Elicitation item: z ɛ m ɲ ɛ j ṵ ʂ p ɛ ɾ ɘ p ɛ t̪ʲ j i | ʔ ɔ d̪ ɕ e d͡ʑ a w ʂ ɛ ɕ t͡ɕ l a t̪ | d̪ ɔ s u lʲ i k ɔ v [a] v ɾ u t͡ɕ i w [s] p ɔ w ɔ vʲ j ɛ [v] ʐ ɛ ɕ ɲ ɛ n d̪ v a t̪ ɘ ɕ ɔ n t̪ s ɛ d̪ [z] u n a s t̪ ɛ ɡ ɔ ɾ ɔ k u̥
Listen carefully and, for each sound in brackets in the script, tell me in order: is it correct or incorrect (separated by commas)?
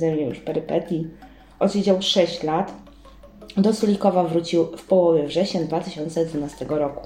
correct, incorrect, correct, incorrect